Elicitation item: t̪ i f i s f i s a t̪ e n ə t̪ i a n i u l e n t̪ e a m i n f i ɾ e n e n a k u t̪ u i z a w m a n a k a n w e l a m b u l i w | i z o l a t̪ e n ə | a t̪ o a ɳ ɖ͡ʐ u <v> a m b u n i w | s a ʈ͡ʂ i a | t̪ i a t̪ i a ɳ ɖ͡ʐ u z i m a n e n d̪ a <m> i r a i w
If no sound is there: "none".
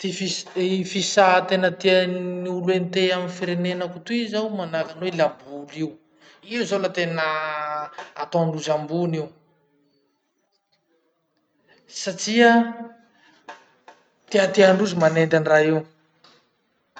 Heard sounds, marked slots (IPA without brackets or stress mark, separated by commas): z, n